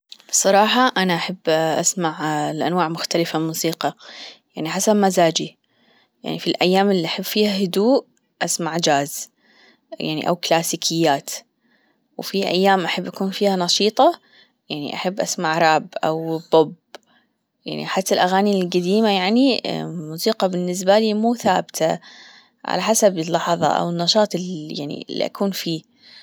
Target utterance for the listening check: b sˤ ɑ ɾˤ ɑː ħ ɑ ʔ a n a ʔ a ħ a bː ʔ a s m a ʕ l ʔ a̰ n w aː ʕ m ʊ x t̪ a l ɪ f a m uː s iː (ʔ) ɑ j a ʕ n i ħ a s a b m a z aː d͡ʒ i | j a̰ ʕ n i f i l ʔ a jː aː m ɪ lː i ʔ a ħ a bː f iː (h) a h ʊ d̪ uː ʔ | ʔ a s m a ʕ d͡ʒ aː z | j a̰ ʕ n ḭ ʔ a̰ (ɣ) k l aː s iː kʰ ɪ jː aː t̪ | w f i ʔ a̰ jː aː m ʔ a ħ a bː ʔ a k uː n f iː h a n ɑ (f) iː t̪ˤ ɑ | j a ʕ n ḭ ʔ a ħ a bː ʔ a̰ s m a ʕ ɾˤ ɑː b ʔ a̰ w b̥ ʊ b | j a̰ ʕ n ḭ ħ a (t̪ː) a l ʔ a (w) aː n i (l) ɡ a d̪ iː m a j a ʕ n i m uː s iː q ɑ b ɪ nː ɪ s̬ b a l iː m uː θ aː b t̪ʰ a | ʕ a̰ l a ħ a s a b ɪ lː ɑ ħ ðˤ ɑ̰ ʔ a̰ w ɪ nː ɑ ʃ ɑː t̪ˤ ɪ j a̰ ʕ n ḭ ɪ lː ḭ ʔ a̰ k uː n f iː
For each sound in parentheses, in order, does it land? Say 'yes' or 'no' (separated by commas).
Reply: no, yes, no, no, yes, no, yes